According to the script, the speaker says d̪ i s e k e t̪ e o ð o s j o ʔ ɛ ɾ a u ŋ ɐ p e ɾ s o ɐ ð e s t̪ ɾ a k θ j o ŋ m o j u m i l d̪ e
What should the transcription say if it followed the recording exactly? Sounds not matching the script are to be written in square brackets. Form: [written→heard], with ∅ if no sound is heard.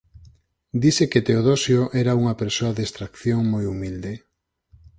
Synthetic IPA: d̪ i s e k e t̪ e o ð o s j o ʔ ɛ ɾ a u ŋ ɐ p e ɾ s o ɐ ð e s t̪ ɾ a k θ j o ŋ m o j u m i l d̪ e

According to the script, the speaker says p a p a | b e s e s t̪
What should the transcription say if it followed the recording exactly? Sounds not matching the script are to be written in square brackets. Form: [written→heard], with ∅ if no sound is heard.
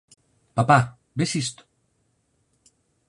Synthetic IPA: p a p a | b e s [e→i] s t̪

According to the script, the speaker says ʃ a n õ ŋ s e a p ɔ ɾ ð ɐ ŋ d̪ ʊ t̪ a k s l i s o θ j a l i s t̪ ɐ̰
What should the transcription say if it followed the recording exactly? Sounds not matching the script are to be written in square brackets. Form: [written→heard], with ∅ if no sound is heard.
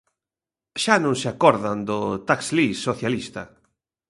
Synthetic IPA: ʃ a n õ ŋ s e a [p→k] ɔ ɾ ð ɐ [ŋ→n] d̪ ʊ t̪ a k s l i s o θ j a l i s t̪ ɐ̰

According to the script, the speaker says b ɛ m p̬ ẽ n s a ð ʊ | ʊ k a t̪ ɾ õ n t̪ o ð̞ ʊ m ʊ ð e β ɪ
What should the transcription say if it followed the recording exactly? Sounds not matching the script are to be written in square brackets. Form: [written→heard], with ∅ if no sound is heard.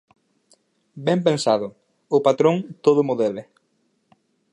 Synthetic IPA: b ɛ m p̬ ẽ n s a ð ʊ | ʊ [k→p] a t̪ ɾ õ [n→ŋ] t̪ o ð̞ ʊ m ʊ ð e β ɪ

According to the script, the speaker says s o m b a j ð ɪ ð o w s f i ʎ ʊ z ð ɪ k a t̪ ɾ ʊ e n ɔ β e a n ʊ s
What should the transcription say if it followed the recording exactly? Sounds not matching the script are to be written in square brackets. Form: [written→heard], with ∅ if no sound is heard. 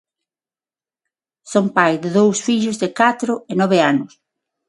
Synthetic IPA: s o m [b→p] a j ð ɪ ð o w s f i ʎ ʊ z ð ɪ k a t̪ ɾ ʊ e n ɔ β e a n ʊ s

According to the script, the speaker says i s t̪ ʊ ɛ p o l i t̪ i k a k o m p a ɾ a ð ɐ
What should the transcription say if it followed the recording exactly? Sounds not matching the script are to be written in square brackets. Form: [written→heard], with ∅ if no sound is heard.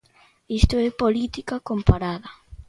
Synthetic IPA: i s t̪ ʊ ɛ p o l i t̪ i k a k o m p a ɾ a ð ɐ

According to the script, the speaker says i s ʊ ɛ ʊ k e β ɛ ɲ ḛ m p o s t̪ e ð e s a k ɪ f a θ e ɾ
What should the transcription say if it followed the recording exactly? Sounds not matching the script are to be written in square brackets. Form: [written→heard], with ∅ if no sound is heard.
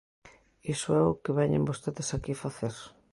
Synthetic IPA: i s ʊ ɛ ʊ k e β ɛ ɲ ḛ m [p→b] o s t̪ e ð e s a k [ɪ→i] f a θ e ɾ

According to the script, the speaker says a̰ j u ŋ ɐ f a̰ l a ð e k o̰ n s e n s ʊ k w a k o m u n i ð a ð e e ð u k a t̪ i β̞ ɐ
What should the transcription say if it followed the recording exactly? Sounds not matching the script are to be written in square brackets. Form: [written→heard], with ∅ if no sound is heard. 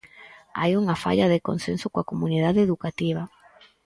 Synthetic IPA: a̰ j u ŋ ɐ f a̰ [l→ʎ] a ð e k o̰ n s e n s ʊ k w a k o m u n i ð a ð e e ð u k a t̪ i β̞ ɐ

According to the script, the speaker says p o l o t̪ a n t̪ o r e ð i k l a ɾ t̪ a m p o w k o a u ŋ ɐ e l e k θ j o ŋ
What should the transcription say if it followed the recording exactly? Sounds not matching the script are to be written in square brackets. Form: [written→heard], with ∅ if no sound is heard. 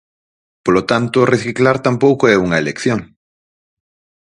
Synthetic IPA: p o l o t̪ a n t̪ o r e [ð→θ] i k l a ɾ t̪ a m p o w k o [a→ɛ] u ŋ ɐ e l e k θ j o ŋ

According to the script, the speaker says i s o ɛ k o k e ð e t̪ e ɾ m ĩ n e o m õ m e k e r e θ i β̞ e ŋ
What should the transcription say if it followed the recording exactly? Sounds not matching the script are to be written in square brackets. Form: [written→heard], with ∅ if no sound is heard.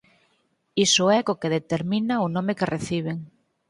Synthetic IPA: i s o ɛ k o k e ð e t̪ e ɾ m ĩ n [e→a] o [m→n] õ m e k e r e θ i β̞ e ŋ

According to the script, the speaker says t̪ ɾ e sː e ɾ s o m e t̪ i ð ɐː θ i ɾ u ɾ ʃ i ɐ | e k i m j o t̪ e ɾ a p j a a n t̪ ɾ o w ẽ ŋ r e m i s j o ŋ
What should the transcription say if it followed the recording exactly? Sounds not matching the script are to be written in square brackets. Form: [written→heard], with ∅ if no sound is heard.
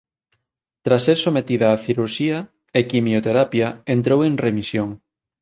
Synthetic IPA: t̪ ɾ [e→a] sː e ɾ s o m e t̪ i ð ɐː θ i ɾ u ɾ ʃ i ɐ | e k i m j o t̪ e ɾ a p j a [a→e] n t̪ ɾ o w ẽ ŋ r e m i s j o ŋ

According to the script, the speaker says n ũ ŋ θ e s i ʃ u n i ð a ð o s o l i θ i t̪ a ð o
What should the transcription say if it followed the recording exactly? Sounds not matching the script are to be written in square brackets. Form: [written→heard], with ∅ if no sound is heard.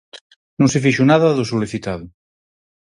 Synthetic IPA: n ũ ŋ [θ→s] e [s→f] i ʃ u n [i→a] ð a ð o s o l i θ i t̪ a ð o

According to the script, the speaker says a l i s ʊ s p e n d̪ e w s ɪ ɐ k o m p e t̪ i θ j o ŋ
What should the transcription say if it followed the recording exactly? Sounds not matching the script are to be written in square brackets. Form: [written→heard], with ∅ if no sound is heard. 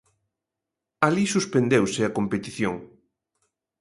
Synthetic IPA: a l i s [ʊ→u] s p e n d̪ e w s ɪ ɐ k o m p e t̪ i θ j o ŋ

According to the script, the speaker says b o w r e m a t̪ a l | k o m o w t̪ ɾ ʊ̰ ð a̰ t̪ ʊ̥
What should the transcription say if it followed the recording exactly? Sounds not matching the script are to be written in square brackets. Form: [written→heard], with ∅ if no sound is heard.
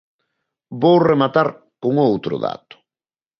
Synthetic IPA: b o w r e m a t̪ a [l→ɾ] | k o [m→ŋ] o w t̪ ɾ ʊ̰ ð a̰ t̪ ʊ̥

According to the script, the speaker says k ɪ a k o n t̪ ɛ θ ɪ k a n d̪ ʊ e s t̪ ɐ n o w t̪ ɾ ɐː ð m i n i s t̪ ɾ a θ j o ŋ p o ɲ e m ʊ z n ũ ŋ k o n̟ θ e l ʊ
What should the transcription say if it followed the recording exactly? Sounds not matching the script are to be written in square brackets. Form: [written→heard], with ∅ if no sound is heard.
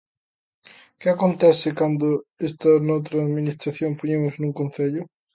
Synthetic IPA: k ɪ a k o n t̪ ɛ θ ɪ k a n d̪ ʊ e s t̪ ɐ n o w t̪ ɾ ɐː ð m i n i s t̪ ɾ a θ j o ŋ p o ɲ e m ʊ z n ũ ŋ k o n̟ θ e [l→ʎ] ʊ

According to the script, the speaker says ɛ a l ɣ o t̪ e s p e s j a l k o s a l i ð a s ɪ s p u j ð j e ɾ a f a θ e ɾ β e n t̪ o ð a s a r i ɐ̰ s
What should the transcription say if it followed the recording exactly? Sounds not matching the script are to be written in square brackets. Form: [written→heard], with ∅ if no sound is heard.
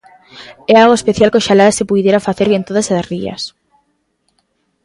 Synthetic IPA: ɛ a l ɣ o [t̪→∅] e s p e [s→θ] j a l k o [s→ʃ] a l [i→a] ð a s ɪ [s→∅] p u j ð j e ɾ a f a θ e ɾ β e n t̪ o ð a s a r i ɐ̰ s

